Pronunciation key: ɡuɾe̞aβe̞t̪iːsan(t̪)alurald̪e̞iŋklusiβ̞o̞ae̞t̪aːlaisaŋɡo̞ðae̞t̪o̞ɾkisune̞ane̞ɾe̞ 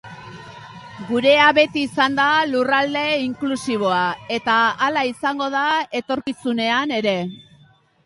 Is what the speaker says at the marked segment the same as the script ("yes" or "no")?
no